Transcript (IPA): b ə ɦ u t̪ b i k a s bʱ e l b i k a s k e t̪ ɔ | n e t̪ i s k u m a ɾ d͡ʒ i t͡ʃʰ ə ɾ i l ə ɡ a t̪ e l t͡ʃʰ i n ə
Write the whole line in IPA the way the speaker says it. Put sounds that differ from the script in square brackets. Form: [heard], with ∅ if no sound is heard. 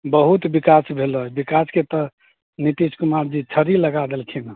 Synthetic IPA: b ə ɦ u t̪ b i k a s bʱ e l b i k a s k e t̪ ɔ | n [i] t̪ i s k u m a ɾ d͡ʒ i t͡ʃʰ ə ɾ i l ə ɡ a [d̪] e l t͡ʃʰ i n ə